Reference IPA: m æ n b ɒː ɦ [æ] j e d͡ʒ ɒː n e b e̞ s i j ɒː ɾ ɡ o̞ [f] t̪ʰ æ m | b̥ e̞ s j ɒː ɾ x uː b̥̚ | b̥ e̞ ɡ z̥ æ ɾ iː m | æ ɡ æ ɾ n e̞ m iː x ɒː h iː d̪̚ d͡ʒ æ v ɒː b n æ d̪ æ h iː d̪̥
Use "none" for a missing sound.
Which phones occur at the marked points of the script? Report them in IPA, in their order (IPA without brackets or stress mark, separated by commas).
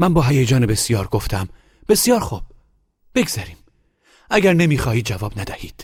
æ, f